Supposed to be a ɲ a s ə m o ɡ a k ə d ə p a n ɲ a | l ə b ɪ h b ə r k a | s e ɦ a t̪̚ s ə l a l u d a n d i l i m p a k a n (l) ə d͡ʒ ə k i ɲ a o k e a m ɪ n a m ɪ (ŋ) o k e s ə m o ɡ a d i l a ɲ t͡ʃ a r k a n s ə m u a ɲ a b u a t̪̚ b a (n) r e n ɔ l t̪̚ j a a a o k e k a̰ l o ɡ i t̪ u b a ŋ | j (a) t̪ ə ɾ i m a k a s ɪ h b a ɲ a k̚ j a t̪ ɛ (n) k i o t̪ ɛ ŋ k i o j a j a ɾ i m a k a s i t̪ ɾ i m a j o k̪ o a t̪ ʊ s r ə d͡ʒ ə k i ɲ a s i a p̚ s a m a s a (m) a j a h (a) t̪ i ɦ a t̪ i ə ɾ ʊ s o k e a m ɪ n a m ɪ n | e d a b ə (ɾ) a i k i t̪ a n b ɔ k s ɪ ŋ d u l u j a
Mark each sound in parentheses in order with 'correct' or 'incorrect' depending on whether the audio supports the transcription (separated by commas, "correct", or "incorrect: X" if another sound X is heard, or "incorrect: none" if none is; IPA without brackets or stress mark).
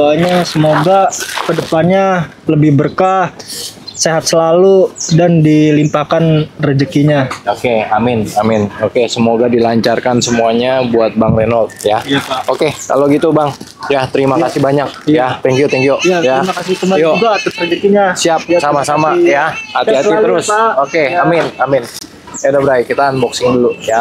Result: incorrect: r, incorrect: n, incorrect: ŋ, correct, incorrect: ŋ, correct, correct, correct